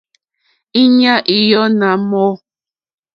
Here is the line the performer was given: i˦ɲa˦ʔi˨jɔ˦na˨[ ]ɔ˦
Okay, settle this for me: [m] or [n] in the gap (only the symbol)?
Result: m